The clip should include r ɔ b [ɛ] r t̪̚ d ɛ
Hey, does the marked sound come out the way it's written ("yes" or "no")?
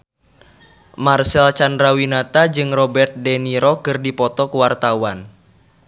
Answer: yes